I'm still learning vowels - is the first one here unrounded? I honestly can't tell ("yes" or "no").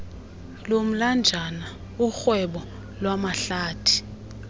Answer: no